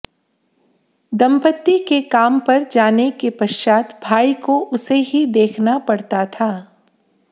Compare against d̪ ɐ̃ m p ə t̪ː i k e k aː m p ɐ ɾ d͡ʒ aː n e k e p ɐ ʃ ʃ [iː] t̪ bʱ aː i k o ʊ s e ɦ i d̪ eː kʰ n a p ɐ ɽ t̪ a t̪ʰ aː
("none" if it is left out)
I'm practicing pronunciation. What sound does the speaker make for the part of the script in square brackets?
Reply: aː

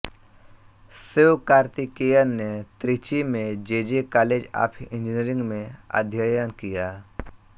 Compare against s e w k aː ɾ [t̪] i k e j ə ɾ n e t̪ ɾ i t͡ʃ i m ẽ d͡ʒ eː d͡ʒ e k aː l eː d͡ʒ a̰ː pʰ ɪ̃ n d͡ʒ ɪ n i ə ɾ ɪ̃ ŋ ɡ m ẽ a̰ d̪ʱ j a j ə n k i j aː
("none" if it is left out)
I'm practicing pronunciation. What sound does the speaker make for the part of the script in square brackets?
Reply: t̪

